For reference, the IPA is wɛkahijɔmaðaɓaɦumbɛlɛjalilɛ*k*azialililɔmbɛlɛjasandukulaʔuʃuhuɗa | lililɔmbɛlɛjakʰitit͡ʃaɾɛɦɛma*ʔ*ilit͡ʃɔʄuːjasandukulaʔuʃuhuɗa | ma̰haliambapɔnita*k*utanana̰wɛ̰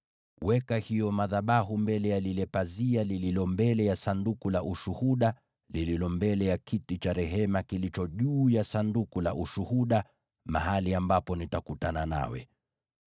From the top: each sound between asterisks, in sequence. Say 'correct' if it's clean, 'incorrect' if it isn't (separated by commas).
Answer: incorrect, incorrect, correct